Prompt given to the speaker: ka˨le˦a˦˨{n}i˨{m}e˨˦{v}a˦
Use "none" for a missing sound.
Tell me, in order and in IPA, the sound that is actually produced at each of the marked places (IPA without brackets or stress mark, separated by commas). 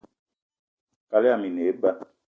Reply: m, n, b